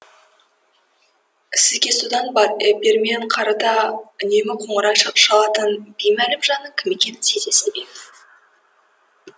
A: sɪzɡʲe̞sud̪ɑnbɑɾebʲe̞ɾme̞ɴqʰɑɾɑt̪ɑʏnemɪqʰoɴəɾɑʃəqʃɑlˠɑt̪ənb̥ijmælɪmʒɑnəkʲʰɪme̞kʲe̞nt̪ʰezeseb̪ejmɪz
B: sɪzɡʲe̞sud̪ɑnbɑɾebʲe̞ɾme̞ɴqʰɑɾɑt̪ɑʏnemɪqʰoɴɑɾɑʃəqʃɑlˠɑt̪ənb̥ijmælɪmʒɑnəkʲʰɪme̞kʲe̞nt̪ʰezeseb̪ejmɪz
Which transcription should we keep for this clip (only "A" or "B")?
A